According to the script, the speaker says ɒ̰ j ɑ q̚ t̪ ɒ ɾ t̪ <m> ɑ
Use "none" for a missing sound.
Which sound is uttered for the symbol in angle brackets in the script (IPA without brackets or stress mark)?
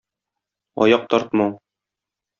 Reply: m